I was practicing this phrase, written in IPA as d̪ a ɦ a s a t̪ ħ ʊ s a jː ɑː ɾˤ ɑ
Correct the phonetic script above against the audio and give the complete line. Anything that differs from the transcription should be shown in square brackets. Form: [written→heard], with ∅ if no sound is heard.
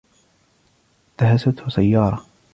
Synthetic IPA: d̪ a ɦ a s a t̪ [ħ→h] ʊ s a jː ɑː ɾˤ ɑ